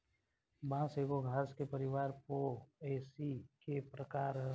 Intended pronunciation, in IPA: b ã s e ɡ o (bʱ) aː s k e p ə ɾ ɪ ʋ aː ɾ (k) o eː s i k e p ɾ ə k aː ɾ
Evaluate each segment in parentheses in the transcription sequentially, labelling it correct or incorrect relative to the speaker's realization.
incorrect, incorrect

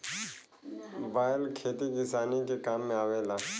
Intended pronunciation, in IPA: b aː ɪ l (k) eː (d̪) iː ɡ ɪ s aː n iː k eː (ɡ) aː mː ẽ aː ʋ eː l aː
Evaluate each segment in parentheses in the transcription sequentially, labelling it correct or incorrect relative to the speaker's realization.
incorrect, incorrect, incorrect

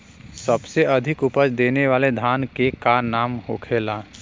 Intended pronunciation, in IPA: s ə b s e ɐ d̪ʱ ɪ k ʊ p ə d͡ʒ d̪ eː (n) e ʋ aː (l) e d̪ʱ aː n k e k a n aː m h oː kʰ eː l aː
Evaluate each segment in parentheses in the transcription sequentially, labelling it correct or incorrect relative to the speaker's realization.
correct, correct

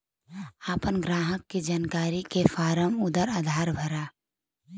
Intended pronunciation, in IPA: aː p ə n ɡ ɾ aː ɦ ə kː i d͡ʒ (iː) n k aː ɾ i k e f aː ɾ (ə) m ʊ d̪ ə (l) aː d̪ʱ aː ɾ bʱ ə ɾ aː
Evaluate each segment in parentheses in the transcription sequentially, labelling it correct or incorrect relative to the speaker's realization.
incorrect, correct, incorrect

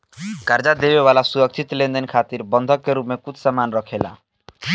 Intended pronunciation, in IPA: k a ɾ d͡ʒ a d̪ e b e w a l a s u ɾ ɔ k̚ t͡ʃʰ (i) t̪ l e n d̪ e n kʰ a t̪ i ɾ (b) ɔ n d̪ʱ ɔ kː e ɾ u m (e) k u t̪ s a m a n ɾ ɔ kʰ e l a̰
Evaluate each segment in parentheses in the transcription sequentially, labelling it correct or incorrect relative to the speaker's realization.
correct, correct, correct

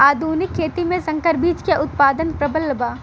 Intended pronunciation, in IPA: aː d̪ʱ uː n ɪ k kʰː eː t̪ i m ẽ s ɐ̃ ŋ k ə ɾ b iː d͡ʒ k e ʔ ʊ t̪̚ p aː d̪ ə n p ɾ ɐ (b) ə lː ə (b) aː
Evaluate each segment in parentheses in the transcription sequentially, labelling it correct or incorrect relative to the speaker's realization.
correct, correct

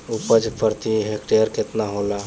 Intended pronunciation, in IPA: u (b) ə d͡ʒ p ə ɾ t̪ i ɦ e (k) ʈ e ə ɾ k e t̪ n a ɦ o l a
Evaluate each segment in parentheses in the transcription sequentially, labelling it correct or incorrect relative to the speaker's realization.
incorrect, correct

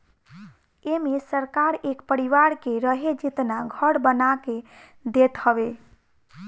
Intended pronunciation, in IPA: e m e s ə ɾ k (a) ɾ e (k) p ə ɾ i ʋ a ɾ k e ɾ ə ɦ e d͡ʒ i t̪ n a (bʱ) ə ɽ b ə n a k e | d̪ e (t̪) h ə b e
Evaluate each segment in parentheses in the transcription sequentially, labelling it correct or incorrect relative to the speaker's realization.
correct, correct, incorrect, correct

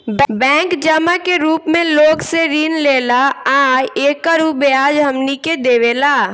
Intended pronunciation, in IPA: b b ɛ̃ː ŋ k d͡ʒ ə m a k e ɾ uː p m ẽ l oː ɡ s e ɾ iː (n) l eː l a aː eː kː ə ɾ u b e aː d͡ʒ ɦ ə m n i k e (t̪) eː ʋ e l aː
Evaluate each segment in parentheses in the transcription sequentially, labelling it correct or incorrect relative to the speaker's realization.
correct, incorrect

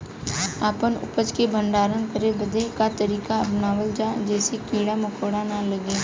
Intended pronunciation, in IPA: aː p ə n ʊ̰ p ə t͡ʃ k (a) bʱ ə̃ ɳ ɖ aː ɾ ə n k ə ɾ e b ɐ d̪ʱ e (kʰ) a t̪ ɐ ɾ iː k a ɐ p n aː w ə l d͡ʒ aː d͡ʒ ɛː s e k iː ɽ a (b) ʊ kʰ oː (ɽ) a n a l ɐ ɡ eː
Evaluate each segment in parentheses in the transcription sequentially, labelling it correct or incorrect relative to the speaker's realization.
incorrect, incorrect, incorrect, correct

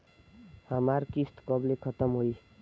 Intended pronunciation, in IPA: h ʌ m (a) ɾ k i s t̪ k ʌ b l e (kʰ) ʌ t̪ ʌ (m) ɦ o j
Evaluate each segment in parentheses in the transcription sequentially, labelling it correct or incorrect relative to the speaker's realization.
correct, correct, correct

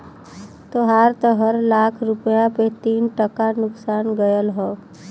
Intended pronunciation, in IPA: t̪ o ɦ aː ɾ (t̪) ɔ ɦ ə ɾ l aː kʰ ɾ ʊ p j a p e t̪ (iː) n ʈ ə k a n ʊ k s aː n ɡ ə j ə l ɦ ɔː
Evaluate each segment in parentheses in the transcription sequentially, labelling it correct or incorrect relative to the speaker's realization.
correct, correct

